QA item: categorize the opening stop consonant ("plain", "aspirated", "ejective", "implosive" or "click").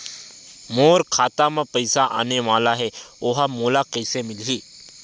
aspirated